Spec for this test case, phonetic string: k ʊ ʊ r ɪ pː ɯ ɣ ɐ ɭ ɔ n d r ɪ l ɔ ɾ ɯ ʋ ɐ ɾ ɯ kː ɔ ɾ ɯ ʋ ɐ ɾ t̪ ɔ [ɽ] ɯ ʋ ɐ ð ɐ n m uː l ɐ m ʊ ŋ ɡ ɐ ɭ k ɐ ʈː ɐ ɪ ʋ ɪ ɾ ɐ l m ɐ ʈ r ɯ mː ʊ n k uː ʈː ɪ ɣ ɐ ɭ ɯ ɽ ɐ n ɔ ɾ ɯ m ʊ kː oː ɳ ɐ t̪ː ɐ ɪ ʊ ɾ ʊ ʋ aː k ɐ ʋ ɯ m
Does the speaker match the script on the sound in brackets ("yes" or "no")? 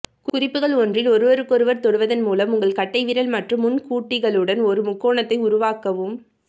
yes